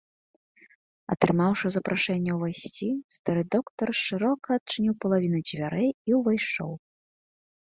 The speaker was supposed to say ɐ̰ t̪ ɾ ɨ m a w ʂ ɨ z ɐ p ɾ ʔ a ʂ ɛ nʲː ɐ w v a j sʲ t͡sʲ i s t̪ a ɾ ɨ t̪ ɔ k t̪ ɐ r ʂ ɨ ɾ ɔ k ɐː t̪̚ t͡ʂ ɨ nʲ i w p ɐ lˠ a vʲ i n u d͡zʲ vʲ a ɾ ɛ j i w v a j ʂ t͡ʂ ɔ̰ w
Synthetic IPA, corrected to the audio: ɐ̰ t̪ ɾ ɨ m a w ʂ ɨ z ɐ p ɾ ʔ a ʂ ɛ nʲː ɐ w v a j sʲ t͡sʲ i s t̪ a ɾ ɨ d̪ ɔ k t̪ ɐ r ʂ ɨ ɾ ɔ k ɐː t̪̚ t͡ʂ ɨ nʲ i w p ɐ lˠ a vʲ i n u d͡zʲ vʲ a ɾ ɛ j i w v a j ʂ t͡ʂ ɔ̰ w